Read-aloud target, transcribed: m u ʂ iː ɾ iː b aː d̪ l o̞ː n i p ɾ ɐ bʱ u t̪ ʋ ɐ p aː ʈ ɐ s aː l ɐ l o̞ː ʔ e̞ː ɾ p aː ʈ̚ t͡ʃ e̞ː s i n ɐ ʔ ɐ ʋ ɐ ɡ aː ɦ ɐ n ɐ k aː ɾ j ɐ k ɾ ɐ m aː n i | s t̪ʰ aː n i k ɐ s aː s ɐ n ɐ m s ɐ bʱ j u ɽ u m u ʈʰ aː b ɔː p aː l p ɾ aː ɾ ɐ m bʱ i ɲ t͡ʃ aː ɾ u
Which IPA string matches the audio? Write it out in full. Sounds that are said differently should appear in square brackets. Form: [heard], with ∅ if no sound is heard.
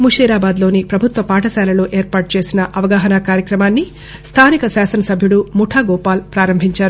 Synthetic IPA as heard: m u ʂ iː ɾ [aː] b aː d̪ l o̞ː n i p ɾ ɐ bʱ u t̪ ʋ ɐ p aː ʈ ɐ s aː l ɐ l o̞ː ʔ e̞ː ɾ p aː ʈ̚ t͡ʃ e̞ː s i n ɐ ʔ ɐ ʋ ɐ ɡ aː ɦ ɐ n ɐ k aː ɾ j ɐ k ɾ ɐ m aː [nː] i | s t̪ʰ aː n i k ɐ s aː s ɐ n ɐ [∅] s ɐ bʱ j u ɽ u m u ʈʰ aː [ɡ] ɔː p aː l p ɾ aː ɾ ɐ m bʱ i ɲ t͡ʃ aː ɾ u